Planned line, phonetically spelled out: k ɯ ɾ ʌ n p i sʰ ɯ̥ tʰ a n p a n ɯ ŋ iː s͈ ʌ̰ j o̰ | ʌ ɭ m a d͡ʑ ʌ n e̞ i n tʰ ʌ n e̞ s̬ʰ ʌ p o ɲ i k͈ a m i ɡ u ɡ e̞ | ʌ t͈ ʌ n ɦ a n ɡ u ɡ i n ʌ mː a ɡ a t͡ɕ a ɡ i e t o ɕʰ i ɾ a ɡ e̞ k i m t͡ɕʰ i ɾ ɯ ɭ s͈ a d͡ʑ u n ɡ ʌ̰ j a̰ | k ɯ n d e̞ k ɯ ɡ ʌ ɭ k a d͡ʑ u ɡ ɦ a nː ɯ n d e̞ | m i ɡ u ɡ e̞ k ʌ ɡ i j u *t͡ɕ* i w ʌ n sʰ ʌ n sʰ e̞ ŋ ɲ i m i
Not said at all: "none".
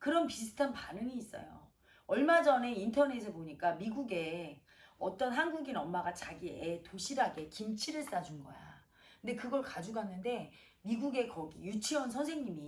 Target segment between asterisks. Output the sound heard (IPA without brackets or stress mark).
t͡ɕʰ